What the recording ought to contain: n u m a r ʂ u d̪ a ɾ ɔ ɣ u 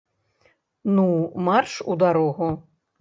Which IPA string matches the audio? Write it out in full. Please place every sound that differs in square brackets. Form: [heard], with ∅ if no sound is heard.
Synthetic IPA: n u m a r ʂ u d̪ a ɾ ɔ ɣ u

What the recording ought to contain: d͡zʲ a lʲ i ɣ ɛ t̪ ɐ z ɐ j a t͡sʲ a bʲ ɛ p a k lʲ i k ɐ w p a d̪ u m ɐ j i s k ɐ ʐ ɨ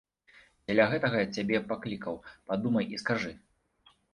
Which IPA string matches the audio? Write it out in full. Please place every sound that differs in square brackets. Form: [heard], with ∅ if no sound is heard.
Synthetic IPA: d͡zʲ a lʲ [a] ɣ ɛ t̪ ɐ [ɣ] ɐ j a t͡sʲ a bʲ ɛ p a k lʲ i k ɐ w p a d̪ u m ɐ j i s k [a] ʐ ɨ

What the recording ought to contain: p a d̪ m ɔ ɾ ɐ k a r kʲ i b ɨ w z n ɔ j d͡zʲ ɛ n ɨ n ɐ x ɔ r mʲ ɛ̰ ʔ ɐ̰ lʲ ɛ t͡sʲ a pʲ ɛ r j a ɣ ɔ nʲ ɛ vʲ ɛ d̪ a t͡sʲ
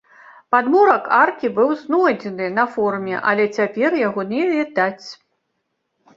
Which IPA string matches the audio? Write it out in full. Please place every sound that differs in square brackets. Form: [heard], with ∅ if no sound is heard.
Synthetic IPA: p a d̪ m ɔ ɾ ɐ k a r kʲ i b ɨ w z n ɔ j d͡zʲ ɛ n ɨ n ɐ [f] ɔ r mʲ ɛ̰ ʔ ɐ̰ lʲ ɛ t͡sʲ a pʲ ɛ r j a ɣ ɔ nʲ ɛ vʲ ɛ d̪ a t͡sʲ

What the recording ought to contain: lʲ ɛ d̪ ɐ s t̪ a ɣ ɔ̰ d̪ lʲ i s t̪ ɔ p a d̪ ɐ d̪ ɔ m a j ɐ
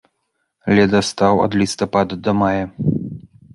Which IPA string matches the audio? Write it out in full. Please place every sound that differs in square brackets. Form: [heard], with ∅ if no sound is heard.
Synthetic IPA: lʲ ɛ d̪ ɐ s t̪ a [w] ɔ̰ d̪ lʲ i s t̪ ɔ p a d̪ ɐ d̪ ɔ m a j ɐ

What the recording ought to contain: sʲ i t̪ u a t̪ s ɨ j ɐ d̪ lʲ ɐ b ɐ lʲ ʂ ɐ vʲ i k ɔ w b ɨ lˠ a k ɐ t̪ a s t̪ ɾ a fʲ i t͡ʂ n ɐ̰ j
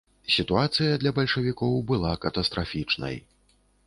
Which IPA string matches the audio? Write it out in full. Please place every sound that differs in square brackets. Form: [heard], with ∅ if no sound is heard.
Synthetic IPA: sʲ i t̪ u a t̪ s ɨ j ɐ d̪ lʲ ɐ b ɐ lʲ ʂ ɐ vʲ i k ɔ w b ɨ lˠ a k ɐ t̪ [ɐ] s t̪ ɾ a fʲ i t͡ʂ n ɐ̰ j

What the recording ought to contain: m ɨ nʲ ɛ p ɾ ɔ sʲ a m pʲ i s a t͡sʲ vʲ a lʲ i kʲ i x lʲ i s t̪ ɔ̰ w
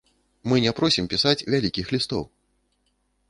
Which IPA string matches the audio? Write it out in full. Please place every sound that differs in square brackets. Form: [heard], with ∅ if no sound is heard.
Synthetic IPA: m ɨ nʲ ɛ p ɾ ɔ sʲ [i] m pʲ i s a t͡sʲ vʲ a lʲ i kʲ i x lʲ i s t̪ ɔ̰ w

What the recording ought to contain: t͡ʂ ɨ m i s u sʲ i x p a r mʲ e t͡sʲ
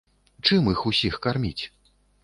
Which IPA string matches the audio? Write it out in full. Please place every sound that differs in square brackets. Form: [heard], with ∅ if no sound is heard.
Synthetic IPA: t͡ʂ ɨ m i [x] u sʲ i x [k] a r mʲ [i] t͡sʲ

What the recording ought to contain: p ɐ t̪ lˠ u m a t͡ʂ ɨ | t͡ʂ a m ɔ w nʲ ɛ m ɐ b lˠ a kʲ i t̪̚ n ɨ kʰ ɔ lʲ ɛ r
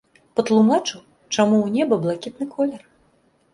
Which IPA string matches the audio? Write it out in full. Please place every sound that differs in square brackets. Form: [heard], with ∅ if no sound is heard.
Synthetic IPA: p ɐ t̪ lˠ u m a t͡ʂ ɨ | t͡ʂ a m [u] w nʲ ɛ [b] ɐ b lˠ a kʲ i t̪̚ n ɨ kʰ ɔ lʲ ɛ r

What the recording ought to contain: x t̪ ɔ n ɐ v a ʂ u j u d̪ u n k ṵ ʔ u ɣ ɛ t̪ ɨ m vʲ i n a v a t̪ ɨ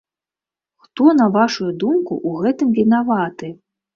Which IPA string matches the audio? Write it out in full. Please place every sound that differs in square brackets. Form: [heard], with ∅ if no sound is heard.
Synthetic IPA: x t̪ ɔ n ɐ v a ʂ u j u d̪ u [m] k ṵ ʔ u ɣ ɛ t̪ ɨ m vʲ i n a v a t̪ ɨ

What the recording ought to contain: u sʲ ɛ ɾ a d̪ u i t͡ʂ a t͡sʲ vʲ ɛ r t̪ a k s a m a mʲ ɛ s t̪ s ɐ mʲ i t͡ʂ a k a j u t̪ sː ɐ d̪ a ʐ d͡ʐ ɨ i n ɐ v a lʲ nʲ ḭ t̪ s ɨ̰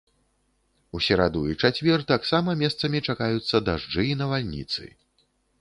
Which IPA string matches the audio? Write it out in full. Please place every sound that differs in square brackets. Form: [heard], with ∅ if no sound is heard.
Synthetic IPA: u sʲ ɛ ɾ a d̪ u i t͡ʂ a t͡sʲ vʲ ɛ r t̪ a k s a m [ɐ] mʲ ɛ s t̪ s ɐ mʲ i t͡ʂ a k a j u t̪ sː ɐ d̪ a ʐ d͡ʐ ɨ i n ɐ v a lʲ nʲ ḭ t̪ s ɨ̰

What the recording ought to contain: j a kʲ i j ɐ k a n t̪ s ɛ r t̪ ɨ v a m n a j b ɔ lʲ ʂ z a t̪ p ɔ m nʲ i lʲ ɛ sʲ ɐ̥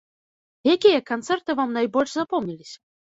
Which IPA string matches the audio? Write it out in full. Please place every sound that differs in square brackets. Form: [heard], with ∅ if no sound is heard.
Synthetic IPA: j a kʲ i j ɐ k a n t̪ s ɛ r t̪ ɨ v a m n a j b ɔ lʲ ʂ z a [∅] p ɔ m nʲ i lʲ [i] sʲ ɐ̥

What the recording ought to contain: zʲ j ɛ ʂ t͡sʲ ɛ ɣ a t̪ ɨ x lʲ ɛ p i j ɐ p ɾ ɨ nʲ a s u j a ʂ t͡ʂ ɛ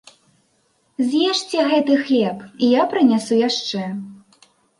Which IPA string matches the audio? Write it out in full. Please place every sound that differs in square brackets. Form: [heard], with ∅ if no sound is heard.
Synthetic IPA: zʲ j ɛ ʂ t͡sʲ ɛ ɣ [ɛ] t̪ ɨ x lʲ ɛ p i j [a] p ɾ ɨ nʲ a s u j a ʂ t͡ʂ ɛ

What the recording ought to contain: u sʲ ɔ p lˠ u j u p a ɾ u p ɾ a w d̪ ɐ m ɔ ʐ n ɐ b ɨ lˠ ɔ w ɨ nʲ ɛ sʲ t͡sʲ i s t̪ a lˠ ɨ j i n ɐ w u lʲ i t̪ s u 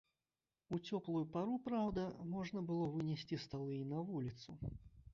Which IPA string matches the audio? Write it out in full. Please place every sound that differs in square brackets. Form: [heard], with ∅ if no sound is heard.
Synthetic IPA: u [t͡sʲ] ɔ p lˠ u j u p a ɾ u p ɾ a w d̪ ɐ m ɔ ʐ n ɐ b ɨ lˠ ɔ [v] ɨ nʲ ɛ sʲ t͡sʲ i s t̪ a lˠ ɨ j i n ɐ [v] u lʲ i t̪ s u

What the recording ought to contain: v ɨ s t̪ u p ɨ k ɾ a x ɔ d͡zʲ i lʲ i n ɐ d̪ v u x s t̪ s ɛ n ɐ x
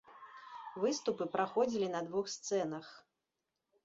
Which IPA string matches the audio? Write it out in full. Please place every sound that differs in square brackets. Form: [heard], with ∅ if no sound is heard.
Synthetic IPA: v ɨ s t̪ u p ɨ [p] ɾ a x ɔ d͡zʲ i lʲ i n ɐ d̪ v u x s t̪ s ɛ n ɐ x

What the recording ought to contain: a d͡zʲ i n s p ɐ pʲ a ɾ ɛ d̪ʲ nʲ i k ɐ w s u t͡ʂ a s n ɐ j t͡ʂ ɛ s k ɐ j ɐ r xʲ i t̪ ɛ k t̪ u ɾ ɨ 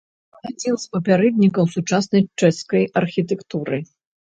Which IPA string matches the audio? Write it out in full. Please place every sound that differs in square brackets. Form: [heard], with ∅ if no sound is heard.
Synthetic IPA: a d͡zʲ i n s p ɐ pʲ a ɾ ɛ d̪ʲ nʲ i k ɐ w s u t͡ʂ a s n ɐ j t͡ʂ ɛ s k ɐ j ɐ r xʲ i t̪ ɛ k t̪ u ɾ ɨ

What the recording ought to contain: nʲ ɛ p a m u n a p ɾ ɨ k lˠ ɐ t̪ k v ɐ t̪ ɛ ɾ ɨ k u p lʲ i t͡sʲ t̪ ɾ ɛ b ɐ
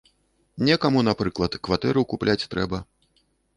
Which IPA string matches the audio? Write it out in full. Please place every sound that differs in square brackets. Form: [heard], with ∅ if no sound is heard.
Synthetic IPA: nʲ ɛ [k] a m u n a p ɾ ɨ k lˠ ɐ t̪ k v [a] t̪ ɛ ɾ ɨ k u p lʲ [a] t͡sʲ t̪ ɾ ɛ b ɐ

